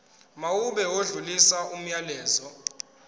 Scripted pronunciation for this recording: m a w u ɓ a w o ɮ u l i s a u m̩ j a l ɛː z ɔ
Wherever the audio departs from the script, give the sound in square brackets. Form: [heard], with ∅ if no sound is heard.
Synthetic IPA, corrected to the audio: m a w u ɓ [ɛ] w o ɮ u l i s a u m̩ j a l ɛː z ɔ